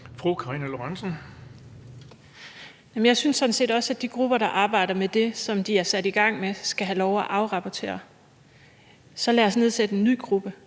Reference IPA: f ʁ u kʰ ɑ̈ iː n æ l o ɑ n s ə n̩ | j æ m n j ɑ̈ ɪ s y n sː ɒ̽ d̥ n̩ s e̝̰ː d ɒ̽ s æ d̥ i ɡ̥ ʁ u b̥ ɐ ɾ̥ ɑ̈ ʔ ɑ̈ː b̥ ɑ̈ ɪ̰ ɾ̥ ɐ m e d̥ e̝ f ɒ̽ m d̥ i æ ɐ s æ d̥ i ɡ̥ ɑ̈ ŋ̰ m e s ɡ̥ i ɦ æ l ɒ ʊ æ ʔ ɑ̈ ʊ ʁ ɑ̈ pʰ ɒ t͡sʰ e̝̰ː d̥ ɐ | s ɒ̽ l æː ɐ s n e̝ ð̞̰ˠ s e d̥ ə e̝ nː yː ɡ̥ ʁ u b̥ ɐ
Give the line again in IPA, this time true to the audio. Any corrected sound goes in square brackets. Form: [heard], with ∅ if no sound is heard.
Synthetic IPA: f ʁ u kʰ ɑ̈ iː n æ l o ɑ n s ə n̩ | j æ m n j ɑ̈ ɪ s y n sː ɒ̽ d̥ n̩ s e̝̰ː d ɒ̽ s æ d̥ i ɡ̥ ʁ u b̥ ɐ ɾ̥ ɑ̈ ʔ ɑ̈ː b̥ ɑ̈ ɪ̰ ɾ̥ ɐ m e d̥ e̝ [s] ɒ̽ m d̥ i æ ɐ s æ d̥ i ɡ̥ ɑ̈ ŋ̰ m e s ɡ̥ [æ] ɦ æ l ɒ ʊ æ ʔ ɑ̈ ʊ ʁ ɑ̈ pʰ ɒ t͡sʰ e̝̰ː [∅] ɐ | s ɒ̽ l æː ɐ s n e̝ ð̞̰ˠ s e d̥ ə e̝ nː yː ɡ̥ ʁ u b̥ [ə]